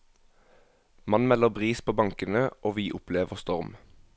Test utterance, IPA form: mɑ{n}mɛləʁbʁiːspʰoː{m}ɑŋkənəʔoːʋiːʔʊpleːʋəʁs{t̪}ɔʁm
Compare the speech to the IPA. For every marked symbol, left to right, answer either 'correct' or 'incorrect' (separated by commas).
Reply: correct, incorrect, correct